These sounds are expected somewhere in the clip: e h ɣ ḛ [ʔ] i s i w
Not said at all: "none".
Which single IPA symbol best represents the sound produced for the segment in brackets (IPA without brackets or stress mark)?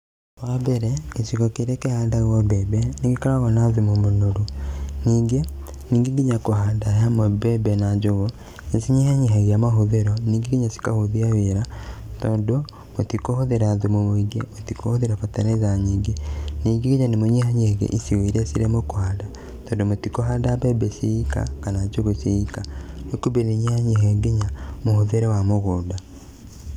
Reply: ʔ